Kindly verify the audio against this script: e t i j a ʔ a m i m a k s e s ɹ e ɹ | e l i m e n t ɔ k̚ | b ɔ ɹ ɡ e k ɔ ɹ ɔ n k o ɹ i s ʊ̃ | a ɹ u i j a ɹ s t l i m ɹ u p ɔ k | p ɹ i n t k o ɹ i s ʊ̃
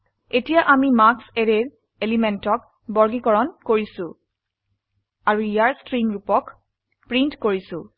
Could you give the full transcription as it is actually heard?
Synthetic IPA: e t i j a ʔ a m i m a k s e ɹ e ɹ | e l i m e n t ɔ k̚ | b ɔ ɹ ɡ i k ɔ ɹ ɔ n k o ɹ i s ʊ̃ | a ɹ u i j a ɹ s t ɹ i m ɹ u p ɔ k | p ɹ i n t k o ɹ i s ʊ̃

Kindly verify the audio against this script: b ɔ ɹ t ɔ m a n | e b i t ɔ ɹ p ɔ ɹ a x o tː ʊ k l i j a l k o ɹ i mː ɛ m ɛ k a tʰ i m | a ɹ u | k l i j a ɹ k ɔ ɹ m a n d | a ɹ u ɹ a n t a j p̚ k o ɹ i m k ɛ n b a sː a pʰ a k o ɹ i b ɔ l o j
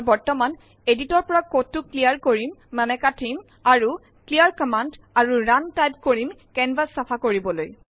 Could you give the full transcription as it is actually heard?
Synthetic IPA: b ɔ ɹ t ɔ m a n | e d i t ɔ ɹ p ɔ ɹ a k o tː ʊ k l i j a ɹ k o ɹ i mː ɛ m ɛ k a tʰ i m | a ɹ u | k l i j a ɹ k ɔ m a n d | a ɹ u ɹ a n t a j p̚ k o ɹ i m k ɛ n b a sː a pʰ a k o ɹ i b ɔ l o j

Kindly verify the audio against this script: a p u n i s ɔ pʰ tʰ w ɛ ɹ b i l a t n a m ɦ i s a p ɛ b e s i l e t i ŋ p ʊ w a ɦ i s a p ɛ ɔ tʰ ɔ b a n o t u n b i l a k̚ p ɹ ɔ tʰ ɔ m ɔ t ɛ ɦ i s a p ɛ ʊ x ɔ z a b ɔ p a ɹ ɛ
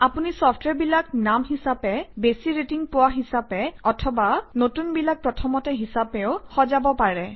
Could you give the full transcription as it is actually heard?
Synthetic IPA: a p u n i s ɔ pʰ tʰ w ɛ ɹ b i l a k n a m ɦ i s a p ɛ b e s i ɹ e t i ŋ p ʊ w a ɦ i s a p ɛ ɔ tʰ ɔ b a n o t u n b i l a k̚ p ɹ ɔ tʰ ɔ m ɔ t ɛ ɦ i s a p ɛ ʊ x ɔ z a b ɔ p a ɹ ɛ

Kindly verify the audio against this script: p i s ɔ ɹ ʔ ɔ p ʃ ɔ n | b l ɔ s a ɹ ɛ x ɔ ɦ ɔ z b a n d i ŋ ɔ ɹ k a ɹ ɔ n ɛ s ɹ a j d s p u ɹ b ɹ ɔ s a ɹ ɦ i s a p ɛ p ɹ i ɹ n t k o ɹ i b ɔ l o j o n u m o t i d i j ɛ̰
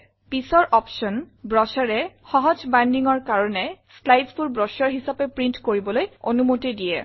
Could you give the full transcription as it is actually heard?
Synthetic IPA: p i s ɔ ɹ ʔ ɔ p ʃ ɔ n | b ɹ ɔ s a ɹ ɛ x ɔ ɦ ɔ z b a n d i ŋ ɔ ɹ k a ɹ ɔ n ɛ s l a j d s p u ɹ b ɹ ɔ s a ɹ ɦ i s a p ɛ p ɹ i n t k o ɹ i b ɔ l o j o n u m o t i d i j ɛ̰

